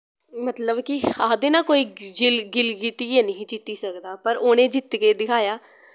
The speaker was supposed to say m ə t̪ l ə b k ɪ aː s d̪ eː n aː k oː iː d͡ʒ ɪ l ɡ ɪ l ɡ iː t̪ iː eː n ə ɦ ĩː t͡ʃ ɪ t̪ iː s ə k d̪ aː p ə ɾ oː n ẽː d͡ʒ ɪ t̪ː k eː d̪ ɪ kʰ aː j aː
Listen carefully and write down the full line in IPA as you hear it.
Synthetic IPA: m ə t̪ l ə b k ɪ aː d̪ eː n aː k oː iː d͡ʒ ɪ l ɡ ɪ l ɡ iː t̪ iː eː n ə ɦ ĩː t͡ʃ ɪ t̪ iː s ə k d̪ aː p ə ɾ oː n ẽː d͡ʒ ɪ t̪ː k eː d̪ ɪ kʰ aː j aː